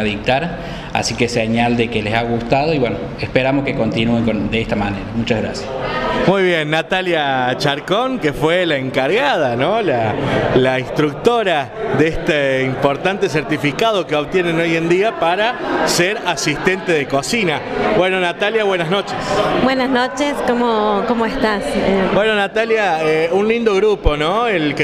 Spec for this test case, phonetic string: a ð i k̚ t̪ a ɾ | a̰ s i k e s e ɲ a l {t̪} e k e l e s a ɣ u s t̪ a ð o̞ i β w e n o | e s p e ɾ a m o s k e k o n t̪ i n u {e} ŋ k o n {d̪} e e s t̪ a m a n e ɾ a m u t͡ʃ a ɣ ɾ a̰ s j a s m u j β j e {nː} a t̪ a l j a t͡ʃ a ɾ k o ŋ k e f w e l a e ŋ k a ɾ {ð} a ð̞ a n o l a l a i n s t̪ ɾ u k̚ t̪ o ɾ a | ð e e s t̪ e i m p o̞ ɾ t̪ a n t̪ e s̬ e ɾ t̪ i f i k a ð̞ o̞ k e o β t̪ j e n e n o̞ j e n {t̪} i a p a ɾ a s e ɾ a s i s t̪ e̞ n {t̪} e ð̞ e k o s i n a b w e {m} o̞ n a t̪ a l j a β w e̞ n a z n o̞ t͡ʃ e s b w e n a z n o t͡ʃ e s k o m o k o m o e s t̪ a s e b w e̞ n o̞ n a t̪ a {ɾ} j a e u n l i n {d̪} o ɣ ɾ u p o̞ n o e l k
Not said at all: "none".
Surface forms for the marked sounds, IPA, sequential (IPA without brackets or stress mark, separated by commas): d̪, e, d̪, nː, ɣ, d̪, t̪, n, l, d̪